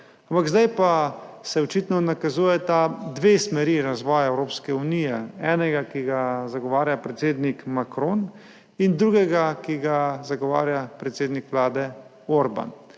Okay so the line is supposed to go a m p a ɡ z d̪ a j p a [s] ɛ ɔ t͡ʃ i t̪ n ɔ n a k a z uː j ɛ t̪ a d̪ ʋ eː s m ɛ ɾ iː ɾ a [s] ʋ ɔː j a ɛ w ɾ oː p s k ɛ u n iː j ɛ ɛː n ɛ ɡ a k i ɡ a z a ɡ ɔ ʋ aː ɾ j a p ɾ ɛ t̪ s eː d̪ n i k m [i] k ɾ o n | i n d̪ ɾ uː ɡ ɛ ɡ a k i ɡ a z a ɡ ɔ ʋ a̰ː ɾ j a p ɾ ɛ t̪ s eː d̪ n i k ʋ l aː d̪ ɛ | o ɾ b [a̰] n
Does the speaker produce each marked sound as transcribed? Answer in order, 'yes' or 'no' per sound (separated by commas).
yes, no, no, yes